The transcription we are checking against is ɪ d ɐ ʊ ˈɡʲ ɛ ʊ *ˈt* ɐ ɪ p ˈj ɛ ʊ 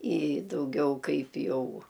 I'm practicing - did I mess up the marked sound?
yes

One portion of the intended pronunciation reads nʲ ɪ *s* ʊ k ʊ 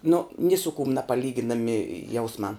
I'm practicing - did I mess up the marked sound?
no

